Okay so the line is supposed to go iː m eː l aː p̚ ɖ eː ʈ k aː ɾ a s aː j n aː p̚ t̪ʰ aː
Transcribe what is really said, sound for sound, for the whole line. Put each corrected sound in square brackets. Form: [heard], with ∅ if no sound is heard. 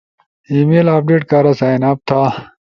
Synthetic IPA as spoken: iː m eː l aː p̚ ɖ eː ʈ k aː ɾ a s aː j n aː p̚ t̪ʰ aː